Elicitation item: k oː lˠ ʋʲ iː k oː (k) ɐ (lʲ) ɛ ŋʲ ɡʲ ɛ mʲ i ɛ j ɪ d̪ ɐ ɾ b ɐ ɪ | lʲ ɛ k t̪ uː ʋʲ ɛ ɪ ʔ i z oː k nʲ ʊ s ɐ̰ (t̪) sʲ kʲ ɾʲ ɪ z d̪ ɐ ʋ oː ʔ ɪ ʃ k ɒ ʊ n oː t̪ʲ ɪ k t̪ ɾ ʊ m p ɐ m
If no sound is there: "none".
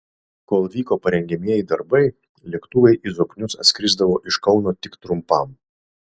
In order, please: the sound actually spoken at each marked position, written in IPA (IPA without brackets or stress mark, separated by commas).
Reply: p, ɾʲ, t̪